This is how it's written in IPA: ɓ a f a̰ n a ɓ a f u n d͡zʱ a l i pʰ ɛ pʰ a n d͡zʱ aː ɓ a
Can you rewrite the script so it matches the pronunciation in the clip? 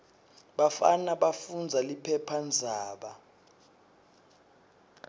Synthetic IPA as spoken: ɓ a f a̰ n a ɓ a f u n d͡zʱ a l i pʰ ɛ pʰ a n d͡zʱ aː ɓ a

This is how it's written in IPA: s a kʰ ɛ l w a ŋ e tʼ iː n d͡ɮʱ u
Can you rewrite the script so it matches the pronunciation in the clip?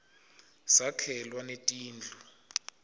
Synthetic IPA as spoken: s a kʰ ɛ l w a n e tʼ iː n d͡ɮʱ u

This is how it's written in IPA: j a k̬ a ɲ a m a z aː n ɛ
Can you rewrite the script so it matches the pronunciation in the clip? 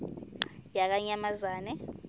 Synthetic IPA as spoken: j a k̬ a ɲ a m a z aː n ɛ

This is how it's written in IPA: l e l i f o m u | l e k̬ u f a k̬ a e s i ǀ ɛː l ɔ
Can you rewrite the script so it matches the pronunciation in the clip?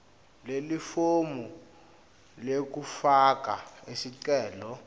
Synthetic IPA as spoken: l e l i f o m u | l e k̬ u f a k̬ a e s i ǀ ɛː l ɔ

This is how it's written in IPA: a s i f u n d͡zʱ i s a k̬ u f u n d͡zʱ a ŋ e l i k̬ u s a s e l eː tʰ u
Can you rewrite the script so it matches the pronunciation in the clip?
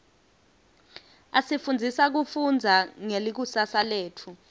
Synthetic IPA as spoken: a s i f u n d͡zʱ i s a k̬ u f u n d͡zʱ a ŋ e l i k̬ u s a s a l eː tʰ u

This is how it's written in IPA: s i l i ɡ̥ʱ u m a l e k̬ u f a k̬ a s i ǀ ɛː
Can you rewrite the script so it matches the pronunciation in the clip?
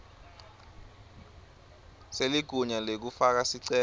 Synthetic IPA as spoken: s e l i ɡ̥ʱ u ɲ a l e k̬ u f a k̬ a s i ǀ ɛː

